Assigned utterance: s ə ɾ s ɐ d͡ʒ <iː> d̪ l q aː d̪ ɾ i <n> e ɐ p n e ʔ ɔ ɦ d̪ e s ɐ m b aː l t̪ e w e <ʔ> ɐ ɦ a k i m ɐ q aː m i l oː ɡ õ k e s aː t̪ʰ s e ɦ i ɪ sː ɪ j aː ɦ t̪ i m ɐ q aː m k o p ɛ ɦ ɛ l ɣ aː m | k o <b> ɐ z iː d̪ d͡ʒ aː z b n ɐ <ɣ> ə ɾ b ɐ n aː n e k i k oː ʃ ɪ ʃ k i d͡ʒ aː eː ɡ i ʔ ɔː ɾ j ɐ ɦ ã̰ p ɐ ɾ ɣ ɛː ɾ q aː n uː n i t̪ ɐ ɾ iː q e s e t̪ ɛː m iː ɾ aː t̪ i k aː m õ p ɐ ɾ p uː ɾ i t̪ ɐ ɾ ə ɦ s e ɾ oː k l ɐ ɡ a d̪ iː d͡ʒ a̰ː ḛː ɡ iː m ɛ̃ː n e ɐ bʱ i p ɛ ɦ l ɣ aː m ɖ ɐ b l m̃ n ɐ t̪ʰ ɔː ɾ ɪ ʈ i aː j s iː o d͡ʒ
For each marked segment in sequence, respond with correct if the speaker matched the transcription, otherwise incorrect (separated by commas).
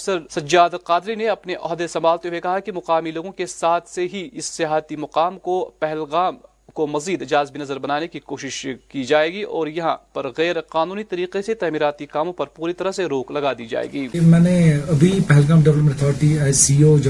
incorrect, correct, incorrect, incorrect, incorrect